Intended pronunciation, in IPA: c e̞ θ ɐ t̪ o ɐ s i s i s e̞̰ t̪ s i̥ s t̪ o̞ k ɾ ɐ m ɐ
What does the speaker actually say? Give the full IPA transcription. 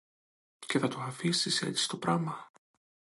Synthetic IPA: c e̞ θ ɐ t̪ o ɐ f i s i s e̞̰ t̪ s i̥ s t̪ o̞ p ɾ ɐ m ɐ

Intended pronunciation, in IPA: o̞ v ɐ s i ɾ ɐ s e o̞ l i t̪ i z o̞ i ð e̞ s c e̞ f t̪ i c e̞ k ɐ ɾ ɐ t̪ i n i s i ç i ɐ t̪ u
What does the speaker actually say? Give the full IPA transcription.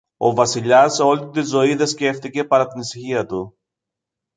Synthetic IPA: o̞ v ɐ s i ʎ ɐ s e o̞ l i t̪ i z o̞ i ð e̞ s c e̞ f t̪ i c e̞ p ɐ ɾ ɐ t̪ i n i s i ç i ɐ t̪ u

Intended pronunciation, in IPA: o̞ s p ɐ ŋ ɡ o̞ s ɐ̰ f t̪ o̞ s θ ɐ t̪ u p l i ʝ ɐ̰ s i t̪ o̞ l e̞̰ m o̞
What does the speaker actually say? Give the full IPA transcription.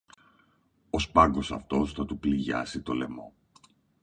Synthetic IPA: o̞ s p ɐ ŋ ɡ o̞ s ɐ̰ f t̪ o̞ s θ ɐ t̪ u p l i ʝ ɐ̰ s i t̪ o̞ l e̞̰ m o̞

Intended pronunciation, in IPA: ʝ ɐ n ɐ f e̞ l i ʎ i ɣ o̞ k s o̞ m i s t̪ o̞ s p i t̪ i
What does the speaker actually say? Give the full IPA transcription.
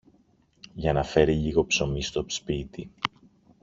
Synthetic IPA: ʝ ɐ n ɐ f e̞ ɾ i ʎ i ɣ o̞ p s o̞ m i s t̪ o̞ s p i t̪ i

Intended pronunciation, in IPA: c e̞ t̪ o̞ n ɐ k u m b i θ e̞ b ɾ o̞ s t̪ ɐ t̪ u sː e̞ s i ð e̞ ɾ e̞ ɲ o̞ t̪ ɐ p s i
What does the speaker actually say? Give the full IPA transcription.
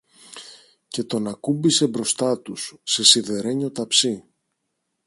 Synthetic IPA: c e̞ t̪ o̞ n ɐ k u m b i s e̞ b ɾ o̞ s t̪ ɐ t̪ u sː e̞ s i ð e̞ ɾ e̞ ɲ o̞ t̪ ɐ p s i

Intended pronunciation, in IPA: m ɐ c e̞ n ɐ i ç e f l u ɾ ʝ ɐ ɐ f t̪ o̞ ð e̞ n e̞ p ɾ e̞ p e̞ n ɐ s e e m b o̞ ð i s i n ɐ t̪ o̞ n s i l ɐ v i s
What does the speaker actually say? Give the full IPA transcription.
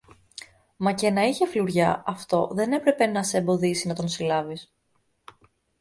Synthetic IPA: m ɐ c e̞ n ɐ i ç e f l u ɾ ʝ ɐ ɐ f t̪ o̞ ð e̞ n e̞ p ɾ e̞ p e̞ n ɐ s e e m b o̞ ð i s i n ɐ t̪ o̞ n s i l ɐ v i s

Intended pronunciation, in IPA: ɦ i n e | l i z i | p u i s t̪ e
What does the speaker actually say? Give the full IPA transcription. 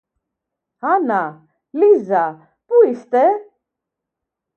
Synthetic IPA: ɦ a n a | l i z a | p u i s t̪ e

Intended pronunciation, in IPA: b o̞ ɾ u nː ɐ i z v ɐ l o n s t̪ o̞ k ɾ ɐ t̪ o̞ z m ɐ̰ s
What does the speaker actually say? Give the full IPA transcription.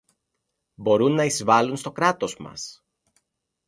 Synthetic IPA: b o̞ ɾ u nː ɐ i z v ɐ l u n s t̪ o̞ k ɾ ɐ t̪ o̞ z m ɐ̰ s

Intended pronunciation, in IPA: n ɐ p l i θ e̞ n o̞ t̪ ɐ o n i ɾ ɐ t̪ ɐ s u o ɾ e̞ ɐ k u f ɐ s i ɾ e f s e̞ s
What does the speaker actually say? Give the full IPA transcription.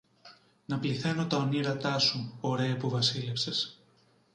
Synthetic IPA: n ɐ p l i θ e̞ n o̞ t̪ ɐ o n i ɾ ɐ t̪ ɐ s u o ɾ e̞ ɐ p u v ɐ s i l e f s e̞ s

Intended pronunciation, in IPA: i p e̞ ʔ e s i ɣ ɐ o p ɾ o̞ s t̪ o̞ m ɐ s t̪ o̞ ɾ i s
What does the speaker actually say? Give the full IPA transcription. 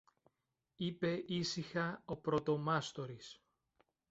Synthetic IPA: i p e̞ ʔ i s i x ɐ o p ɾ o̞ t̪ o̞ m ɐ s t̪ o̞ ɾ i s

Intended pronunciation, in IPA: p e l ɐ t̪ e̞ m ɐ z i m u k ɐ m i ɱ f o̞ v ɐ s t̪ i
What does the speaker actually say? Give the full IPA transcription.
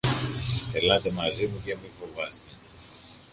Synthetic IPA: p e l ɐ t̪ e̞ m ɐ z i m u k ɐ m i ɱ f o̞ v ɐ s t̪ e

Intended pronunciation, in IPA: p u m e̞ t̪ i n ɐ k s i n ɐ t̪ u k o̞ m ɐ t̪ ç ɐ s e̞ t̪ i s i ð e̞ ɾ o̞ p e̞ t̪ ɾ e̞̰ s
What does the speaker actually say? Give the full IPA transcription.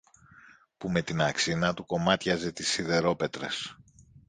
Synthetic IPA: p u m e̞ t̪ i n ɐ k s i n ɐ t̪ u k o̞ m ɐ t̪ ç ɐ z e̞ t̪ i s i ð e̞ ɾ o̞ p e̞ t̪ ɾ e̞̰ s

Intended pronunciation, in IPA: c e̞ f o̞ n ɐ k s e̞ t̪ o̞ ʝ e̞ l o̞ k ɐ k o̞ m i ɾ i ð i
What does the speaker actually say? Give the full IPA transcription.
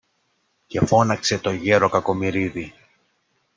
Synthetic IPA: c e̞ f o̞ n ɐ k s e̞ t̪ o̞ ʝ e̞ ɾ o̞ k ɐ k o̞ m i ɾ i ð i

